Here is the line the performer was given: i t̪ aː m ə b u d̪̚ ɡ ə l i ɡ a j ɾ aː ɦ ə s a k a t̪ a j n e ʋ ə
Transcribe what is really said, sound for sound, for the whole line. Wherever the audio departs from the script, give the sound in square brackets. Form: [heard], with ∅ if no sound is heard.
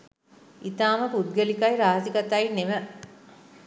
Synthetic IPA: i t̪ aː m ə [p] u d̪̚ ɡ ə l i [k] a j ɾ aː ɦ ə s [i] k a t̪ a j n e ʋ ə